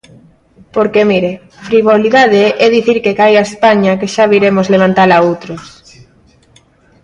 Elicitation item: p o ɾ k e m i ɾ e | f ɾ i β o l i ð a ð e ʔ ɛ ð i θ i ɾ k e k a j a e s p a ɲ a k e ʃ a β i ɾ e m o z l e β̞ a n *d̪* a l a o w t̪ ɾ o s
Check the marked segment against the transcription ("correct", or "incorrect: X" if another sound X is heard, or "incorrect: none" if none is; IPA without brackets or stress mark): incorrect: t̪